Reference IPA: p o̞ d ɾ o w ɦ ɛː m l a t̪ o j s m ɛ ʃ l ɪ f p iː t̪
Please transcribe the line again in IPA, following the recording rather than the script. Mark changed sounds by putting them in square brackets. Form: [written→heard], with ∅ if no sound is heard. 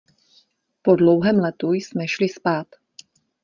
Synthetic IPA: p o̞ d [ɾ→l] o w ɦ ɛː m l [a→ɛ] t̪ [o→u] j s m ɛ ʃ l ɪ [f→s] p [iː→aː] t̪